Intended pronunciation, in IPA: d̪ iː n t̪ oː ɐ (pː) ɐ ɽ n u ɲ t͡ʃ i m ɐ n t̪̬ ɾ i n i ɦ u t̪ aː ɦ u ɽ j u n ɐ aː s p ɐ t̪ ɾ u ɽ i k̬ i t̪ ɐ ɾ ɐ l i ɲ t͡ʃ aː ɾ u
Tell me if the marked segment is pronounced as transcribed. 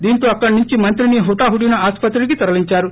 no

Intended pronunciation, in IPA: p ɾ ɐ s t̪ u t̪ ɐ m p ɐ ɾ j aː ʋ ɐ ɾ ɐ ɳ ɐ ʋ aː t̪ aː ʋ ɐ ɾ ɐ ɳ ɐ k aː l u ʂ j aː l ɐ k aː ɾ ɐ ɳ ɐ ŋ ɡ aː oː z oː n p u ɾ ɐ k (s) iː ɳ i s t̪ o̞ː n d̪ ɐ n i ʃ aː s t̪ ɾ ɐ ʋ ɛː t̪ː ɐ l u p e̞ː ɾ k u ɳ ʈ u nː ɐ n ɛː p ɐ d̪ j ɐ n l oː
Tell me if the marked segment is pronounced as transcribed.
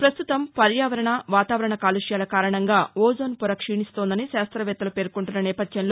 no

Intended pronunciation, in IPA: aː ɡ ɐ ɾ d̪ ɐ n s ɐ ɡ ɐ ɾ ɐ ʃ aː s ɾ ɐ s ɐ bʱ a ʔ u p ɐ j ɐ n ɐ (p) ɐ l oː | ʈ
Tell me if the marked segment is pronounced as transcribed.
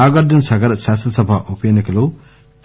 no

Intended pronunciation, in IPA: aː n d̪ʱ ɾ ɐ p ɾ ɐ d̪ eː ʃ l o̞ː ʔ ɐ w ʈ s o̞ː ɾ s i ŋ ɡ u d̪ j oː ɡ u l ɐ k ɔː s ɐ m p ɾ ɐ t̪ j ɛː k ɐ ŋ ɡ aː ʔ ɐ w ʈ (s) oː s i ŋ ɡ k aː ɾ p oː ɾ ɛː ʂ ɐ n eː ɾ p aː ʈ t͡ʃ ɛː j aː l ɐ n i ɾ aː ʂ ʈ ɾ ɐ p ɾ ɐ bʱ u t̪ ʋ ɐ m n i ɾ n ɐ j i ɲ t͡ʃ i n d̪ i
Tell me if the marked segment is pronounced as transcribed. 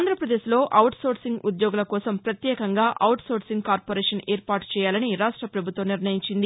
yes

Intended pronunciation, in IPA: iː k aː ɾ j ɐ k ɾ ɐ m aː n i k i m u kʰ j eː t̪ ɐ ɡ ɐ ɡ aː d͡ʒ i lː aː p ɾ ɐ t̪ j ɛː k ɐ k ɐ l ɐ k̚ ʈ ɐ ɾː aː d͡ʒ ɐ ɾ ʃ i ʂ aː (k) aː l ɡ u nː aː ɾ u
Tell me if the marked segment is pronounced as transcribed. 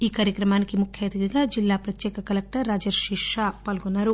no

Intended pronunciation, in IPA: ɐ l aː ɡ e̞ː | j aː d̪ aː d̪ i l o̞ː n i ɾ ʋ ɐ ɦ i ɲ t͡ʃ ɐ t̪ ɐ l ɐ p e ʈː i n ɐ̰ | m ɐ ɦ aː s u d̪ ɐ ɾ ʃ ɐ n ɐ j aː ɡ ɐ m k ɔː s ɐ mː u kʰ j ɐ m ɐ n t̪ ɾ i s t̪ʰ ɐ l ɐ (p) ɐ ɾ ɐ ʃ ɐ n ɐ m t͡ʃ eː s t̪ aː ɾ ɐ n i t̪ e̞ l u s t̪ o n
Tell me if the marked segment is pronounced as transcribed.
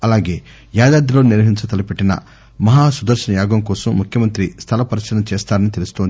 yes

